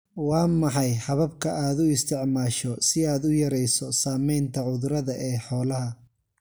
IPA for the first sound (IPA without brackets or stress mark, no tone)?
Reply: w